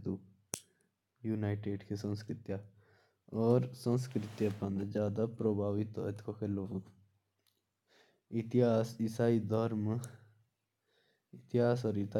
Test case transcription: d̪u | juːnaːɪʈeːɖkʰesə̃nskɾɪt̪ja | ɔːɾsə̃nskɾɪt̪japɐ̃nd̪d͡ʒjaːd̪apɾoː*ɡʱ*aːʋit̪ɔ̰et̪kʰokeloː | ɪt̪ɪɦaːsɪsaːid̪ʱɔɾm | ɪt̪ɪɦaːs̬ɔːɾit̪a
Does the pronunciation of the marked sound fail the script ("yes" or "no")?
yes